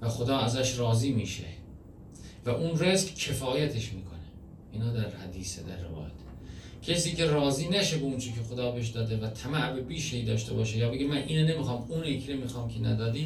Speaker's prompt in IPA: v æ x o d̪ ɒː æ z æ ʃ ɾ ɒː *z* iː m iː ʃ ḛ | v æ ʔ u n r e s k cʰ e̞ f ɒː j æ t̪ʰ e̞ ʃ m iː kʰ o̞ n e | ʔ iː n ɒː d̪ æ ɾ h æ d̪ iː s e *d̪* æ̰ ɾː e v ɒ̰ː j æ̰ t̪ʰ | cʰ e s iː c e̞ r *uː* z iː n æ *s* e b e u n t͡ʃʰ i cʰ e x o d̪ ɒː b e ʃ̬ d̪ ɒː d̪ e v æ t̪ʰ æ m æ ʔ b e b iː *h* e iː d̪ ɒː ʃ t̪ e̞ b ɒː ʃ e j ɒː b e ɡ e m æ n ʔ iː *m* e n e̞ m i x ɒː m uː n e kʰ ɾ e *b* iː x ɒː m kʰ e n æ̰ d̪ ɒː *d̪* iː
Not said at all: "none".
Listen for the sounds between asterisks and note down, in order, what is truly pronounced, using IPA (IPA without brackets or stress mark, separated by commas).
z, d̪, ɒː, ʃ, ʃ, n, m, d̪